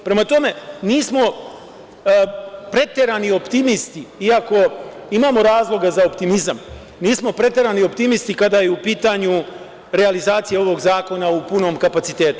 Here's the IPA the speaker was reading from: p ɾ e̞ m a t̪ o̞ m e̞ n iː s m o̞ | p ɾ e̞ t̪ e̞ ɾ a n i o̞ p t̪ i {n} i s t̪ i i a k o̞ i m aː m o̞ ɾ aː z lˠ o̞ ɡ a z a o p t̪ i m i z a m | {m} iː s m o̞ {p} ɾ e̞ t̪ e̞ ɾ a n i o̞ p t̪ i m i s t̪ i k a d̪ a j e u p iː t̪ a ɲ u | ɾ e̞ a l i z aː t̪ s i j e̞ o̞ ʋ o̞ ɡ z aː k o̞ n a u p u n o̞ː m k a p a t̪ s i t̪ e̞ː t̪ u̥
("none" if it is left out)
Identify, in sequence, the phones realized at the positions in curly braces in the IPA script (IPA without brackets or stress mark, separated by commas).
m, n, p